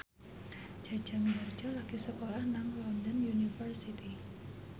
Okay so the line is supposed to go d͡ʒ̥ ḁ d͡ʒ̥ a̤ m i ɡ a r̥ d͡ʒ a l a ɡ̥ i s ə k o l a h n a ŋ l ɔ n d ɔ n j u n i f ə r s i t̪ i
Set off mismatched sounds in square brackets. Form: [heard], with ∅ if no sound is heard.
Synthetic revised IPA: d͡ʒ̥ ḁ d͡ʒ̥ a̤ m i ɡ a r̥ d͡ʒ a l a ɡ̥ i s ə k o l a h n a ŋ l ɔ n d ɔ n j u n i f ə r s i t̪ i